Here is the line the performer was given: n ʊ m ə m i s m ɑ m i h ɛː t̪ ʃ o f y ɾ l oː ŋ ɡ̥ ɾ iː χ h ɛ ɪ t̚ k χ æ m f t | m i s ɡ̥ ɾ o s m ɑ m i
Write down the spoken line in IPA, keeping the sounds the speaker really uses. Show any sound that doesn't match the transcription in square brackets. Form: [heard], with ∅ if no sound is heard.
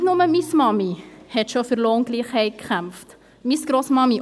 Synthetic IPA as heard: n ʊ m ə m i s m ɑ m i h [ɛ] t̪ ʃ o f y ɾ l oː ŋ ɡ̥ [l] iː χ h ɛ ɪ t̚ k χ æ m f t | m i s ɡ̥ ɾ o s m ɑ m i